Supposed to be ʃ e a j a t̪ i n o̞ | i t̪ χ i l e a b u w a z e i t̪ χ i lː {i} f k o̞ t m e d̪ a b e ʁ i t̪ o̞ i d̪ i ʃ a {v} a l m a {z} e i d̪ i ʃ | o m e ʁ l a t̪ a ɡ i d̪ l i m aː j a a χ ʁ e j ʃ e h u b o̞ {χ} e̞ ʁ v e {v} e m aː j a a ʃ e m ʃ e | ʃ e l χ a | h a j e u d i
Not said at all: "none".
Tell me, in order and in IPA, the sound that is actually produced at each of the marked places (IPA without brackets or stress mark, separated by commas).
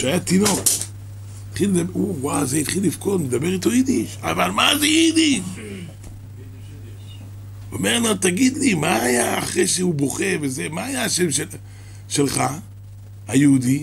i, v, z, χ, z